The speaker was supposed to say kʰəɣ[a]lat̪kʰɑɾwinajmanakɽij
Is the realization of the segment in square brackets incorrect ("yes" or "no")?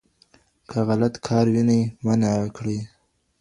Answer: no